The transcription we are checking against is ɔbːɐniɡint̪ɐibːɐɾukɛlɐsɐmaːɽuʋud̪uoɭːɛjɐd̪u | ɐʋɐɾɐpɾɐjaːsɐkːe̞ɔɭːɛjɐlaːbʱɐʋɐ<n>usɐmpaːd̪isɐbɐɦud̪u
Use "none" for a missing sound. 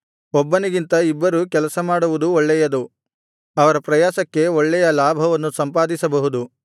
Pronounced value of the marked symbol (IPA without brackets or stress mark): nː